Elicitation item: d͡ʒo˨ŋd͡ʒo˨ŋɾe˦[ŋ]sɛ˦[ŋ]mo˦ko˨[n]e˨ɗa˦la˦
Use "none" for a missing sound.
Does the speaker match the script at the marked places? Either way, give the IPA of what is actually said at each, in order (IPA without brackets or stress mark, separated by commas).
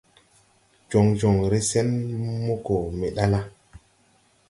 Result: none, n, m